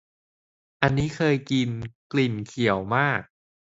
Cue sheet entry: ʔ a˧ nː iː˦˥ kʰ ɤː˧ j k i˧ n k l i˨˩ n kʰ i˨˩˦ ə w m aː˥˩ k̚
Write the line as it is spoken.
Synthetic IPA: ʔ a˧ nː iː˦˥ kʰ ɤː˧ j k i˧ n k l i˨˩ n kʰ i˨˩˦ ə w m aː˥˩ k̚